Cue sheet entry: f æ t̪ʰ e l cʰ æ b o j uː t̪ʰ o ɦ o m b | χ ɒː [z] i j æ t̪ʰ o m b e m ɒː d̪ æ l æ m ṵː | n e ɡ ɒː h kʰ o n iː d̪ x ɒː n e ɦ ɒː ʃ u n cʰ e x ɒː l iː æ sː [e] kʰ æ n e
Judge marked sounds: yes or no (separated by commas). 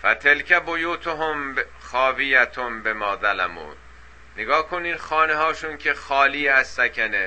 no, no